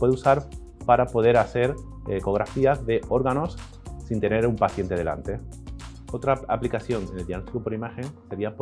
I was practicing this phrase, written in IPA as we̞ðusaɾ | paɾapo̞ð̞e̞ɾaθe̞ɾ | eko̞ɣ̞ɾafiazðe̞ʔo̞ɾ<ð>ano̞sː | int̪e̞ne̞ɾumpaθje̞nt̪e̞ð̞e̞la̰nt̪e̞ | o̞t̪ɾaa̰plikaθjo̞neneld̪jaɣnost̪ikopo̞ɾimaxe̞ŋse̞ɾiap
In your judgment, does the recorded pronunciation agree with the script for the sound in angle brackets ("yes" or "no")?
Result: no